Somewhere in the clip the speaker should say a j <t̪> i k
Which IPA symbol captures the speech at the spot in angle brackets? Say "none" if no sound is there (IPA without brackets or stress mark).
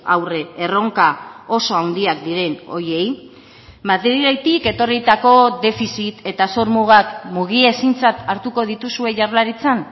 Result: t̪